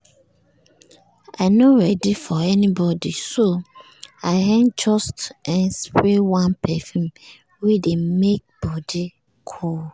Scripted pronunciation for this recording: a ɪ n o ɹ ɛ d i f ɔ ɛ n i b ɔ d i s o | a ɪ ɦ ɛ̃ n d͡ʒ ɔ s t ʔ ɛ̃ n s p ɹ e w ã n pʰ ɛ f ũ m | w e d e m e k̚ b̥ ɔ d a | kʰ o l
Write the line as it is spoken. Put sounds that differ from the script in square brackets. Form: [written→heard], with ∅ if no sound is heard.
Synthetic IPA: a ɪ n o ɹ ɛ d i f ɔ ɛ n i b ɔ d i s o | a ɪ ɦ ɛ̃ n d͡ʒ ɔ s t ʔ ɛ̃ n s p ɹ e w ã n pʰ ɛ f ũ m | w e d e m e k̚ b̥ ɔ d [a→i] | kʰ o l